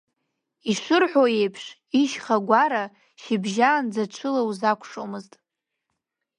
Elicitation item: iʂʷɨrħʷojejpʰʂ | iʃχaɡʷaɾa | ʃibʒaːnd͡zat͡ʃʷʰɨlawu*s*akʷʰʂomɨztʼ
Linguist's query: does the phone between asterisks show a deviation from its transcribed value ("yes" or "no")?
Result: yes